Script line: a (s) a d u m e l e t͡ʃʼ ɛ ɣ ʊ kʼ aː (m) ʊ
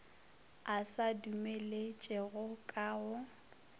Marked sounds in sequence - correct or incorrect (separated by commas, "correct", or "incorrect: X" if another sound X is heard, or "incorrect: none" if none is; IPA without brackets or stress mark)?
correct, incorrect: none